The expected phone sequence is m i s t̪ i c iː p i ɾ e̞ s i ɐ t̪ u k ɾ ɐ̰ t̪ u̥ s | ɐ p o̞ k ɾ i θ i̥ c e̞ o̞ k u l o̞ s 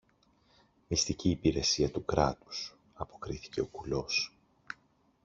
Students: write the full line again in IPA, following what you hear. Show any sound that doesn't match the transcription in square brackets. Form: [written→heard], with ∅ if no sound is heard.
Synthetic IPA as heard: m i s t̪ i c iː p i ɾ e̞ s i ɐ t̪ u k ɾ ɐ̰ t̪ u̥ s | ɐ p o̞ k ɾ i θ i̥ c e̞ o̞ k u l o̞ s